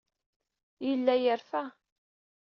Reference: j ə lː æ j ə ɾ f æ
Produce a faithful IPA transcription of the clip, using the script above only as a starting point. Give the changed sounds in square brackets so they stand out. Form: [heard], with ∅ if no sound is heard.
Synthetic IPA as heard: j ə lː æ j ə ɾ f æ